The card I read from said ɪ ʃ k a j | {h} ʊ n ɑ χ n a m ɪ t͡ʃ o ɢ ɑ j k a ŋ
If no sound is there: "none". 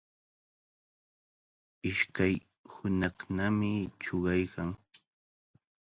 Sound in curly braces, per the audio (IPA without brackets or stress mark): h